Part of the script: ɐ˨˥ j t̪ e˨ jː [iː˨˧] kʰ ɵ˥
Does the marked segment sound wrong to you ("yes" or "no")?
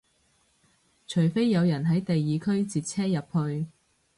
no